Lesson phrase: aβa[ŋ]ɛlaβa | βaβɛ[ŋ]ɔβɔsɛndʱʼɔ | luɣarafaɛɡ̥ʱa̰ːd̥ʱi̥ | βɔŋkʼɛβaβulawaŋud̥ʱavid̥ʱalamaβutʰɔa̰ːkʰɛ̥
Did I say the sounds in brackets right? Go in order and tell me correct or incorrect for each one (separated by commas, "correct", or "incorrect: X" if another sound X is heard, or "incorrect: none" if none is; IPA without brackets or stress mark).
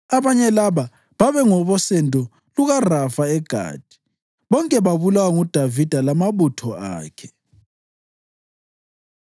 incorrect: ɲ, correct